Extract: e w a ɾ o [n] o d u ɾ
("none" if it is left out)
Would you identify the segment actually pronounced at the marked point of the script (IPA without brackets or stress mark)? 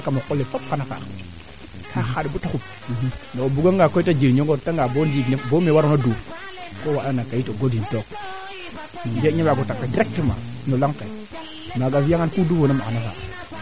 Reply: n